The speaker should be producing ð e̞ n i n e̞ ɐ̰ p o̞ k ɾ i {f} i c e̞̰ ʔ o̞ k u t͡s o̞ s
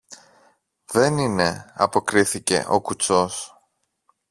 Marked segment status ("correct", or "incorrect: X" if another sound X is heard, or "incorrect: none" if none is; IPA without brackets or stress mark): incorrect: θ